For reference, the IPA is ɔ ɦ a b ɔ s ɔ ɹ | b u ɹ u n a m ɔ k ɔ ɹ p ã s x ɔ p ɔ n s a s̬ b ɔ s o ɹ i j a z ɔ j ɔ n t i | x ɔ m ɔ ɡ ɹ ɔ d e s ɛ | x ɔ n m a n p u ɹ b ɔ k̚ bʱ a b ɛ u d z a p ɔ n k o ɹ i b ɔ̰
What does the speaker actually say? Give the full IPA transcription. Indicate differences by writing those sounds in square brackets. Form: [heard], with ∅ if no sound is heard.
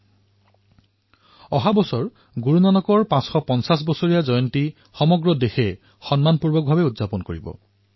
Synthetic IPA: ɔ ɦ a b ɔ s ɔ ɹ | [ɡ] u ɹ u n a [n] ɔ k ɔ ɹ p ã s x ɔ p ɔ n s a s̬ b ɔ s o ɹ i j a z ɔ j ɔ n t i | x ɔ m ɔ ɡ ɹ ɔ d e [x] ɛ | x ɔ n m a n p u ɹ b ɔ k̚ bʱ a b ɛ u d z a p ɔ n k o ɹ i b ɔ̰

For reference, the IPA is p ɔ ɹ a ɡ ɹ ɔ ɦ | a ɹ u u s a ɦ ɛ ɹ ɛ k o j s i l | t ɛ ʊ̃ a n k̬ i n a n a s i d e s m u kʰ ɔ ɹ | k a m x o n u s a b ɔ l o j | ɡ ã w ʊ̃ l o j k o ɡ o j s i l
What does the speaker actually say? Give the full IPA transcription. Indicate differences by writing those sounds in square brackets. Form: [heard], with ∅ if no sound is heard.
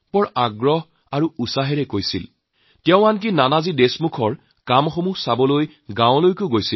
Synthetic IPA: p ɔ ɹ a ɡ ɹ ɔ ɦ | a ɹ u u s a ɦ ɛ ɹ ɛ k o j s i l | t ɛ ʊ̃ a n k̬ i n a n a [z] i d e s m u kʰ ɔ ɹ | k a m x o [m] u s a b ɔ l o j | ɡ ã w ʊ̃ l o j k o ɡ o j s i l

